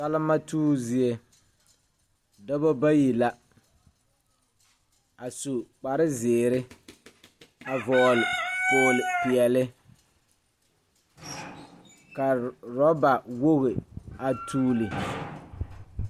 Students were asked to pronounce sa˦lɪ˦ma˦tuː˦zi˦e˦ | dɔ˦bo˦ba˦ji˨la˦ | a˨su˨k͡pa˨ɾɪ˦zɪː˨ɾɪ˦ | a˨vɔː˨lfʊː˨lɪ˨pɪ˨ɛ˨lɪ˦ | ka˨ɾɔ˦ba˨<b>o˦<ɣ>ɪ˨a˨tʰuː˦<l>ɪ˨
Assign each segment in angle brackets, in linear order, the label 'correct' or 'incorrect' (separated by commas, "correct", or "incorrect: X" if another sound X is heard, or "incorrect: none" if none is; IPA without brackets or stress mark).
incorrect: w, correct, correct